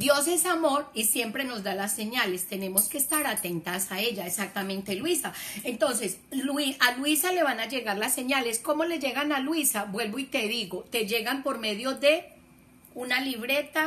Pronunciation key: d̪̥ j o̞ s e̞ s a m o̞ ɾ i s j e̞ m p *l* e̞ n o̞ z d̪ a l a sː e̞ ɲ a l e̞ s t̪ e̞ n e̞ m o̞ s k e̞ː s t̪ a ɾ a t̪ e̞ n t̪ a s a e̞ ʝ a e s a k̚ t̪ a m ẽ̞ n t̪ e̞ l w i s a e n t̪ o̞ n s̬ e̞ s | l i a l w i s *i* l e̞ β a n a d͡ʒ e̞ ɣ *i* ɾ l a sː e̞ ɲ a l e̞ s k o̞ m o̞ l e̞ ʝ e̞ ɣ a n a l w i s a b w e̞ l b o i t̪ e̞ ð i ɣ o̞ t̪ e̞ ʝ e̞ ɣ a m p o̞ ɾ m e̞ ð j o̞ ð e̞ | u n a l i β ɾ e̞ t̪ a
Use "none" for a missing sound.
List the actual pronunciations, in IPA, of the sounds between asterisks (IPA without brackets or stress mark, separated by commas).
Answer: ɾ, a, a